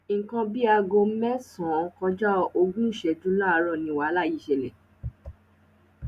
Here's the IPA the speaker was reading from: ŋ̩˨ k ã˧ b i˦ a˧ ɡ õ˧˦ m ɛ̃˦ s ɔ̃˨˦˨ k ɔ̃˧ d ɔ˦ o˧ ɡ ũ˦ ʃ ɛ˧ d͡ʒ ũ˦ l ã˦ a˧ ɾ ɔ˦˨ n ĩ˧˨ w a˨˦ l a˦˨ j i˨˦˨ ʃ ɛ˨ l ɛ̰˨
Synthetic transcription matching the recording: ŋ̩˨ k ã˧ b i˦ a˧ ɡ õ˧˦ m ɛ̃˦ s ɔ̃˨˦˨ k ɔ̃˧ d͡ʒ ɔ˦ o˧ ɡ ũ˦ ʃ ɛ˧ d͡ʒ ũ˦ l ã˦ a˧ ɾ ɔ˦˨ n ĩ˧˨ w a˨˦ l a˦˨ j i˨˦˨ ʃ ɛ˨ l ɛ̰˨